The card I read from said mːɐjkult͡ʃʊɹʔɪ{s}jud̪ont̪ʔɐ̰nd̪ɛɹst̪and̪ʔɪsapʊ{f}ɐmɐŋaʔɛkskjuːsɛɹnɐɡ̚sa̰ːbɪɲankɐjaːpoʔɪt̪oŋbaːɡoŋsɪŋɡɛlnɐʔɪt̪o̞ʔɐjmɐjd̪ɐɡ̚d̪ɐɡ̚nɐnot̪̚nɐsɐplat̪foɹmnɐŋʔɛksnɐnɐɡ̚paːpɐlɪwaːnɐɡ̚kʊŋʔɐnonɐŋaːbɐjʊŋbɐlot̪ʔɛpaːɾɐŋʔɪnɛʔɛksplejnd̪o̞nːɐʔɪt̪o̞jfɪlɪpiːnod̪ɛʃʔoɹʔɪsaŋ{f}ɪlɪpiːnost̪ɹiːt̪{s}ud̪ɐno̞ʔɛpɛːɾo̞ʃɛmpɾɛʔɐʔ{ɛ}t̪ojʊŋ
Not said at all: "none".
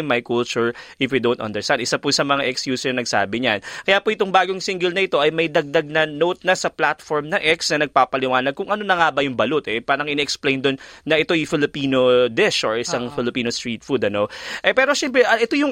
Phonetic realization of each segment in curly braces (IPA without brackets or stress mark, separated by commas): f, s, f, f, ɛ